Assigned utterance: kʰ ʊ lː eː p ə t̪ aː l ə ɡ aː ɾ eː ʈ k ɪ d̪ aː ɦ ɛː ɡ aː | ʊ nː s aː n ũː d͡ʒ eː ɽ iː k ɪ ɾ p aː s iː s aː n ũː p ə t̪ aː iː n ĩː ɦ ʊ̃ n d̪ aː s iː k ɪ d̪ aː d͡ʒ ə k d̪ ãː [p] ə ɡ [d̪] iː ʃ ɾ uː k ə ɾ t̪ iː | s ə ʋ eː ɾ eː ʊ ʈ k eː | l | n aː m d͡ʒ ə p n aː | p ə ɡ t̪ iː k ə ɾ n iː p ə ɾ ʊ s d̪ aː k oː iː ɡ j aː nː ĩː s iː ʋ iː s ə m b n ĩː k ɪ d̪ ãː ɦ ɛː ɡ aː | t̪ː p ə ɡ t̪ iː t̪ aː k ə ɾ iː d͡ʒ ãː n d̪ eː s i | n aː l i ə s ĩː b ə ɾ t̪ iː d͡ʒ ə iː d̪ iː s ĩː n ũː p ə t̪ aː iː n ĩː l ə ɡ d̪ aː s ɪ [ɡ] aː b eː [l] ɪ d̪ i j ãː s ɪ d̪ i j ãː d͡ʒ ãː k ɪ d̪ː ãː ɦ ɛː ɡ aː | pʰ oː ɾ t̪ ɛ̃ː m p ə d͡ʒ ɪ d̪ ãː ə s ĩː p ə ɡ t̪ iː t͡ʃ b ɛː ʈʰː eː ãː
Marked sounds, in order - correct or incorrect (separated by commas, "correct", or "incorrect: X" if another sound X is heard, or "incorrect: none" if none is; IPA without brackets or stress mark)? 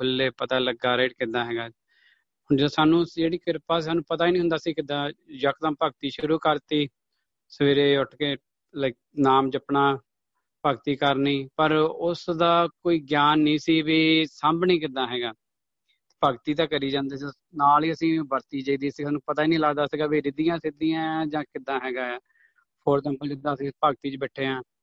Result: correct, incorrect: t̪, correct, incorrect: ɾ